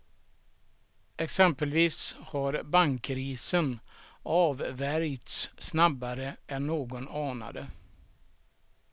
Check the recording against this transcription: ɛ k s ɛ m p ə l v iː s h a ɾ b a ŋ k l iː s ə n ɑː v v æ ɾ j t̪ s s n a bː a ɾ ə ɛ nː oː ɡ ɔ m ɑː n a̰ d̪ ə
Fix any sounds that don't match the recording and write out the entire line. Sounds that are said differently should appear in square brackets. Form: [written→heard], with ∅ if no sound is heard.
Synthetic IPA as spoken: ɛ k s ɛ m p ə l v iː s h a ɾ b a ŋ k [l→ɾ] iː s ə n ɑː v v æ ɾ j t̪ s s n a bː a ɾ ə ɛ nː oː ɡ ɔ [m→n] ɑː n a̰ d̪ ə